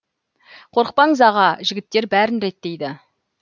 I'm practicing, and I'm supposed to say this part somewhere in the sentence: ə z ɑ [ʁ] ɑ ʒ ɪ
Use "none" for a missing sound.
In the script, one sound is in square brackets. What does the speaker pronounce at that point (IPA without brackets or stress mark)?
ʁ